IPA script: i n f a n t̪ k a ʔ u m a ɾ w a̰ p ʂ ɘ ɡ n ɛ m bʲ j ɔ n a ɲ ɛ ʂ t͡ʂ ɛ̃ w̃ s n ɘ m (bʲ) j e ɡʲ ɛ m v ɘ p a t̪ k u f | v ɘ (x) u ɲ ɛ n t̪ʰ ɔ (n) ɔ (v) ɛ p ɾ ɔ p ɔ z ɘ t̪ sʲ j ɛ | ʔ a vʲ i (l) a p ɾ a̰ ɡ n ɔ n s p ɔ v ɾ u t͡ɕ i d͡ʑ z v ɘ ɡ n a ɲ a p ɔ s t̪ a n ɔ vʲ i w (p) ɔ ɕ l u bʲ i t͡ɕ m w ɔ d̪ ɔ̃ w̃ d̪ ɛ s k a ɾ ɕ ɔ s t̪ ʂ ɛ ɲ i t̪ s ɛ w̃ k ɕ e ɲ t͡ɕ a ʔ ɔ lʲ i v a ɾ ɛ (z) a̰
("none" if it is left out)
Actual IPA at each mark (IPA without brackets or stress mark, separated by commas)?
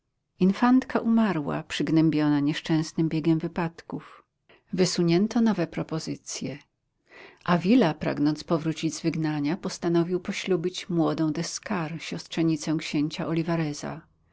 bʲ, s, n, v, l, p, z